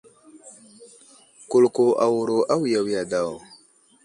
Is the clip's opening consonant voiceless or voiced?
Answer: voiceless